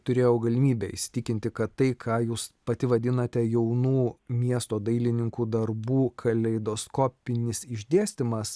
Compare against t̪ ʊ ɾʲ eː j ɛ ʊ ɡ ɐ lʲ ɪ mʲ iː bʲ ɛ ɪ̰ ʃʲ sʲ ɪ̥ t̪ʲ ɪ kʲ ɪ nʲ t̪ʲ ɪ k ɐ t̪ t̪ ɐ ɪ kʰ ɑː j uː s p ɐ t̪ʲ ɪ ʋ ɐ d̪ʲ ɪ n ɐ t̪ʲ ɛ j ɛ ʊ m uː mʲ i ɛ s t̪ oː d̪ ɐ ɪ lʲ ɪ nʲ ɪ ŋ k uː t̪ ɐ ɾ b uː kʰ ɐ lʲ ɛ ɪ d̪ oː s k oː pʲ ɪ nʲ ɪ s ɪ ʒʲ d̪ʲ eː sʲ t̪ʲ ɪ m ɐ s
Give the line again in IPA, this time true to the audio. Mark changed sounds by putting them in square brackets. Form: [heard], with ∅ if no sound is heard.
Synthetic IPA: t̪ ʊ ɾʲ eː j ɛ ʊ ɡ ɐ lʲ ɪ mʲ iː bʲ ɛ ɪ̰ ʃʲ sʲ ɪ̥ t̪ʲ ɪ kʲ ɪ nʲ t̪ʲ ɪ k ɐ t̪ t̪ ɐ ɪ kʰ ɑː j uː s p ɐ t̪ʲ ɪ ʋ ɐ d̪ʲ ɪ n ɐ t̪ʲ ɛ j ɛ ʊ [n] uː mʲ i ɛ s t̪ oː d̪ ɐ ɪ lʲ ɪ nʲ ɪ ŋ k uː [d̪] ɐ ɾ b uː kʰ ɐ lʲ ɛ ɪ d̪ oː s k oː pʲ ɪ nʲ ɪ s ɪ ʒʲ d̪ʲ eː sʲ t̪ʲ ɪ m ɐ s